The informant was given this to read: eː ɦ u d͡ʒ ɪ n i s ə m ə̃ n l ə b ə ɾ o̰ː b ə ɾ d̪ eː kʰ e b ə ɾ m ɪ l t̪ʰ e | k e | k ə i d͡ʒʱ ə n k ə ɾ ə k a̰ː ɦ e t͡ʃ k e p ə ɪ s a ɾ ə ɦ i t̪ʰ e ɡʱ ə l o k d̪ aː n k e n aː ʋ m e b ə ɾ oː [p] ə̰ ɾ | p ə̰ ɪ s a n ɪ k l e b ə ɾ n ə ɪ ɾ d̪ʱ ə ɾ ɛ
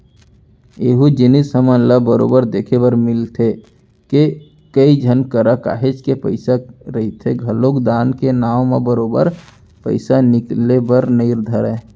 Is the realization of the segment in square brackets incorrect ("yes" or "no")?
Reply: yes